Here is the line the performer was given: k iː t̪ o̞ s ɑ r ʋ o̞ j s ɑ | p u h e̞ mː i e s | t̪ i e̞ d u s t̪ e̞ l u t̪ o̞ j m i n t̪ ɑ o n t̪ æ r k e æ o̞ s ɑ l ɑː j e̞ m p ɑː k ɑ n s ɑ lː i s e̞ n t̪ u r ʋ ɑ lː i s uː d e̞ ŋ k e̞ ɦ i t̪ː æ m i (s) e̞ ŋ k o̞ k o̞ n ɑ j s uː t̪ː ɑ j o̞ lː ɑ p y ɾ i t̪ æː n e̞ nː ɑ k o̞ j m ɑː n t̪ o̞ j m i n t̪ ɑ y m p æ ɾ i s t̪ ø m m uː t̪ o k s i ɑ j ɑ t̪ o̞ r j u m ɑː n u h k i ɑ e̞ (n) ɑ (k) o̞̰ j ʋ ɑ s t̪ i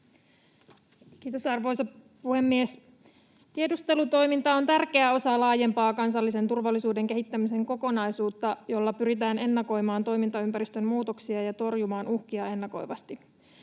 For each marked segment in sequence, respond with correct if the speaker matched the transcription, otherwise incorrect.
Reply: correct, incorrect: nː, correct

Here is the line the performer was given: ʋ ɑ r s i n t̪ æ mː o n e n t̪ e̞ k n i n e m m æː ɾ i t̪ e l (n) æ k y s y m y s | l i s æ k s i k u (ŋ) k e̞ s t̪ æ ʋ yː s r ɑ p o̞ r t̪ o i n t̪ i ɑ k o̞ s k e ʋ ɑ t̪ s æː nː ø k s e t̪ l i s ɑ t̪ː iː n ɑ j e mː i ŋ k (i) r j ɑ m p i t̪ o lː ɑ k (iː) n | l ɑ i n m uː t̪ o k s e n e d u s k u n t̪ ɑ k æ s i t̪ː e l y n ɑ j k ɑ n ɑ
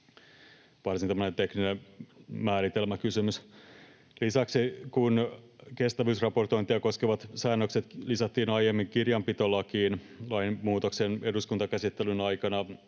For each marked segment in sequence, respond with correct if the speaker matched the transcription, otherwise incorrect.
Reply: incorrect: m, incorrect: n, correct, correct

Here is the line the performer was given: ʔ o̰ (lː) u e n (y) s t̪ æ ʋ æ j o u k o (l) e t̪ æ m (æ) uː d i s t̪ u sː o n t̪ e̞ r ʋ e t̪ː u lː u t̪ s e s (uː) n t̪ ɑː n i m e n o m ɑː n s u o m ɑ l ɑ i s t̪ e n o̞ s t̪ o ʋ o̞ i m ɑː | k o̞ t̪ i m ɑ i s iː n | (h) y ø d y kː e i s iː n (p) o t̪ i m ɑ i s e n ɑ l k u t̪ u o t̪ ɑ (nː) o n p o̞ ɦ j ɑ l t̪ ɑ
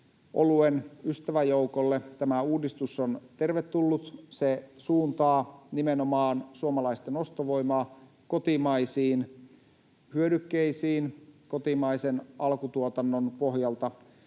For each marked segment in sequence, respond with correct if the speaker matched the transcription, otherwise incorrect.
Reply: incorrect: l, correct, incorrect: lː, correct, correct, correct, incorrect: k, correct

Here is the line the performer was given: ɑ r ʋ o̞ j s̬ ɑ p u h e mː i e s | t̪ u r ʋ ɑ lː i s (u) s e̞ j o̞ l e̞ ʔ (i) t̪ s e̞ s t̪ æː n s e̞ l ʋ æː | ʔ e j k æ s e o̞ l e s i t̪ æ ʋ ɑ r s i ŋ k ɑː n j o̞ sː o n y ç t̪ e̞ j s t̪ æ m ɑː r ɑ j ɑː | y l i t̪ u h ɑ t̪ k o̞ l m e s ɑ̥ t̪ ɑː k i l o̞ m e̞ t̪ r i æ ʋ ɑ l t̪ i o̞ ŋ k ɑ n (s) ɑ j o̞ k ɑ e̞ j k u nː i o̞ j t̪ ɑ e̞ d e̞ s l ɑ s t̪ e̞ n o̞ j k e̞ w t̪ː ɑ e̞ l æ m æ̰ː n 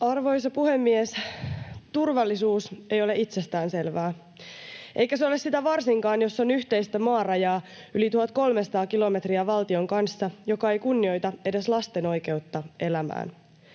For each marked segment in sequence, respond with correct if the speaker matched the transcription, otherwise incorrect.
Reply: incorrect: uː, correct, incorrect: sː

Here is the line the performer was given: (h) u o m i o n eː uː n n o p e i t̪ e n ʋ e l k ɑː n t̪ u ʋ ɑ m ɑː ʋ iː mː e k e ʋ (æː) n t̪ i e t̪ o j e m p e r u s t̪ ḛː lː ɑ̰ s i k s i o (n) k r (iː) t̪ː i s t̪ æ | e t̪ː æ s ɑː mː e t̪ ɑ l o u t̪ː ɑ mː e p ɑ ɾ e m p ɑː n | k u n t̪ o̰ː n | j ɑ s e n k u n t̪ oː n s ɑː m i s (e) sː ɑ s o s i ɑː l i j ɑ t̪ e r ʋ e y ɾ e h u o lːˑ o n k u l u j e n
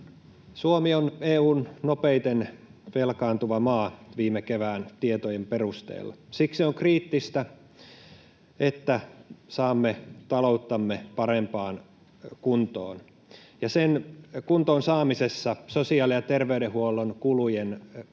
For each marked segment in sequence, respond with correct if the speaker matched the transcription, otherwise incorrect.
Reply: incorrect: s, correct, incorrect: ŋ, correct, correct

